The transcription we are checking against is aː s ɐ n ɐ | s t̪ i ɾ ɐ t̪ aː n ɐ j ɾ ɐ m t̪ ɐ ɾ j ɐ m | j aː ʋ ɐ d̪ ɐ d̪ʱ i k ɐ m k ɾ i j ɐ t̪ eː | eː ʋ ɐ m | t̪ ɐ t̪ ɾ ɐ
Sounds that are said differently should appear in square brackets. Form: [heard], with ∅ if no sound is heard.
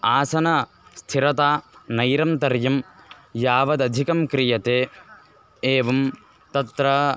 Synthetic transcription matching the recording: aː s ɐ n ɐ | s [t̪ʰ] i ɾ ɐ t̪ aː n ɐ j ɾ ɐ m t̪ ɐ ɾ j ɐ m | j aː ʋ ɐ d̪ ɐ d̪ʱ i k ɐ m k ɾ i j ɐ t̪ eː | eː ʋ ɐ m | t̪ ɐ t̪ ɾ ɐ

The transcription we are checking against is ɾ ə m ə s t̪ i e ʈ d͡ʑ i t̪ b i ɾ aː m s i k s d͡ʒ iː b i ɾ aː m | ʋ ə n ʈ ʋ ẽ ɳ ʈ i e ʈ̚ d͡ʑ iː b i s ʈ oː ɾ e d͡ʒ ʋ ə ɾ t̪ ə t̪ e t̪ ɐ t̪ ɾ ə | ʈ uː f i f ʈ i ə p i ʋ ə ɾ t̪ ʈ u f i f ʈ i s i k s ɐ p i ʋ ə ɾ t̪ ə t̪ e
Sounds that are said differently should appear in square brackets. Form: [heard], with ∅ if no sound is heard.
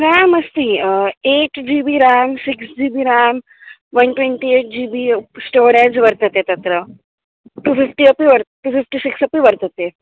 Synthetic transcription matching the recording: ɾ [a] m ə s t̪ i e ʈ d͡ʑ i [∅] b i ɾ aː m s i k s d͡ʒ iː b i ɾ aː m | ʋ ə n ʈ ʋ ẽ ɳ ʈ i e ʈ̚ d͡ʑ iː b i s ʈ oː ɾ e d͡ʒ ʋ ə ɾ t̪ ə t̪ e t̪ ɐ t̪ ɾ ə | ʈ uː f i f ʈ i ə p i ʋ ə ɾ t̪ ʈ u f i f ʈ i s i k s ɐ p i ʋ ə ɾ t̪ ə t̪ e

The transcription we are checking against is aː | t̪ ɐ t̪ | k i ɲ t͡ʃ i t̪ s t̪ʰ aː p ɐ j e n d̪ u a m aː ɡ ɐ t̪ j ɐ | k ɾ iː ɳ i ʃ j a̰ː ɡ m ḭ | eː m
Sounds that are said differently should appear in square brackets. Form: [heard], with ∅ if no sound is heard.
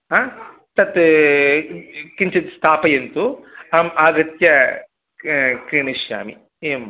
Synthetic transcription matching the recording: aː | t̪ ɐ t̪ | k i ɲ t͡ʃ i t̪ s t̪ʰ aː p ɐ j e n [t̪] u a m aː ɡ ɐ t̪ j ɐ | k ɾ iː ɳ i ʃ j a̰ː [∅] m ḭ | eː m

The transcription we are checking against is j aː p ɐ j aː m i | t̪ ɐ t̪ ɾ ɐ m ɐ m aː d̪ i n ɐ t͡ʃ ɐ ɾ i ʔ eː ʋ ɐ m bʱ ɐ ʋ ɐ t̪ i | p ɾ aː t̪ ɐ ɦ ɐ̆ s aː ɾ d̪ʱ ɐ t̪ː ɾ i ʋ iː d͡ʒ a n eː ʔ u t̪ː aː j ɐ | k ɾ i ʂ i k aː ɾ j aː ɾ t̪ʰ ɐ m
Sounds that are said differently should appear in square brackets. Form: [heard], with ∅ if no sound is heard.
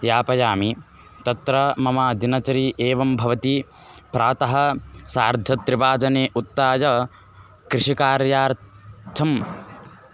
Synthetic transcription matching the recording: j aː p ɐ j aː m i | t̪ ɐ t̪ ɾ ɐ m ɐ m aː d̪ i n ɐ t͡ʃ ɐ ɾ i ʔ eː ʋ ɐ m bʱ ɐ ʋ ɐ t̪ i | p ɾ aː t̪ ɐ ɦ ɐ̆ s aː ɾ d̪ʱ ɐ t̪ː ɾ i ʋ [aː] d͡ʒ [ɐ] n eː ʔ u t̪ː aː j ɐ | k ɾ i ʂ i k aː ɾ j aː ɾ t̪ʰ ɐ m

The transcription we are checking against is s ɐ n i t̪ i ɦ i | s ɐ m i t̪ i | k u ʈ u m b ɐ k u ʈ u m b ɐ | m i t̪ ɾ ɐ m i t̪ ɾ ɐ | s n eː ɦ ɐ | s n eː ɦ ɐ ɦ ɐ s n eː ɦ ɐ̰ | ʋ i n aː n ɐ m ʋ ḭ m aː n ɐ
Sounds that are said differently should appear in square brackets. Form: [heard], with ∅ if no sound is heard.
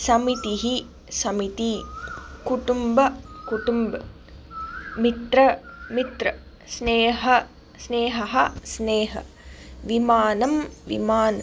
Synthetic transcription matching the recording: s ɐ [m] i t̪ i ɦ i | s ɐ m i t̪ i | k u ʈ u m b ɐ k u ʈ u m b ɐ | m i t̪ ɾ ɐ m i t̪ ɾ ɐ | s n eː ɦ ɐ | s n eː ɦ ɐ ɦ ɐ s n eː ɦ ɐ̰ | ʋ i [m] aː n ɐ m ʋ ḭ m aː n ɐ

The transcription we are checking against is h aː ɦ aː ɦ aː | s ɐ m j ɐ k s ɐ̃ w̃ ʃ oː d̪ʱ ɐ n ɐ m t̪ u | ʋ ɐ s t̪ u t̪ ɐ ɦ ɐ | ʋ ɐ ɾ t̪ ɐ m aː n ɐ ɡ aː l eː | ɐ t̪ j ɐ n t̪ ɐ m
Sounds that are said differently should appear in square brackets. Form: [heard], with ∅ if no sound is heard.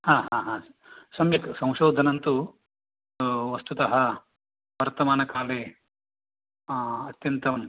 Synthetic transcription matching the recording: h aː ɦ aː ɦ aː | s ɐ m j ɐ k s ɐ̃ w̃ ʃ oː d̪ʱ ɐ n ɐ [n] t̪ u | ʋ ɐ s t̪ u t̪ ɐ ɦ ɐ | ʋ ɐ ɾ t̪ ɐ m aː n ɐ [k] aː l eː | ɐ t̪ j ɐ n t̪ ɐ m

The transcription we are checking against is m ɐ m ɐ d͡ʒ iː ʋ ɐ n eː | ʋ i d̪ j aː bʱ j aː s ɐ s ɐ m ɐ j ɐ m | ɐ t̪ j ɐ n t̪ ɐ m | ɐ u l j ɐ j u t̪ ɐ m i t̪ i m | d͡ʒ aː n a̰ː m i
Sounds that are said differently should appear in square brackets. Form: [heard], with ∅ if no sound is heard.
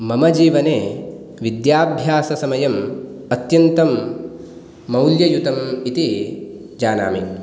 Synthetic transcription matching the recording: m ɐ m ɐ d͡ʒ iː ʋ ɐ n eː | ʋ i d̪ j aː bʱ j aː s ɐ s ɐ m ɐ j ɐ m | ɐ t̪ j ɐ n t̪ ɐ m | ɐ [w] l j ɐ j u t̪ ɐ m i t̪ i [∅] | d͡ʒ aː n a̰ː m i

